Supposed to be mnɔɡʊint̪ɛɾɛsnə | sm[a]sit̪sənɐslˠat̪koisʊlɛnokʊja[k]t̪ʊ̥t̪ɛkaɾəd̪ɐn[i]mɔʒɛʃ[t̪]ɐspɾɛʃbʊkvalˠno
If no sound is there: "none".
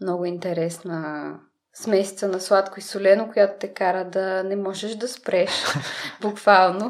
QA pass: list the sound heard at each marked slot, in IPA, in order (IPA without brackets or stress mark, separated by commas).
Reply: ɛ, none, ɛ, d̪